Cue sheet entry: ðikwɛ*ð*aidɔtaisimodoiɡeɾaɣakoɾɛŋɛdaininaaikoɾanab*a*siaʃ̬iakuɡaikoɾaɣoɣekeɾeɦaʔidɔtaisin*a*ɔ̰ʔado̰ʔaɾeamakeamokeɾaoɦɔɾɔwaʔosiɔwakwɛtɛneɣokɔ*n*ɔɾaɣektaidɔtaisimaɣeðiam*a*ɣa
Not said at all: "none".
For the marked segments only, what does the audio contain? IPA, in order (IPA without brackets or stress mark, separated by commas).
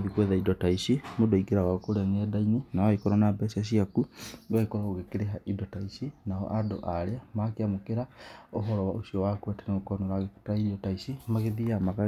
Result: ð, ɛ, a, n, a